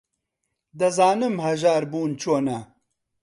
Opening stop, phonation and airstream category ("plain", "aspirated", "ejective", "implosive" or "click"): plain